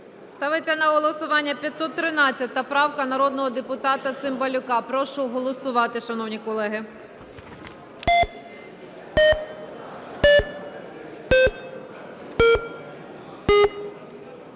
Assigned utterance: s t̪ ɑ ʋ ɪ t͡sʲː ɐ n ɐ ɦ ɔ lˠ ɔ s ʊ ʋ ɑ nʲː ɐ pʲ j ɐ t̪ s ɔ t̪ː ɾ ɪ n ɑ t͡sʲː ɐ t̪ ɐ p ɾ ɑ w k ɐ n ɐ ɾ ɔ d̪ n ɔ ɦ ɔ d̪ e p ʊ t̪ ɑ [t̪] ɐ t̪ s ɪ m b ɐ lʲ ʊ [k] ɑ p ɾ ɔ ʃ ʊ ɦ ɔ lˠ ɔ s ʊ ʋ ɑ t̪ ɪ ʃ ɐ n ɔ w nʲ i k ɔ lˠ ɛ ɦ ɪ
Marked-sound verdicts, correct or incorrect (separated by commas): correct, correct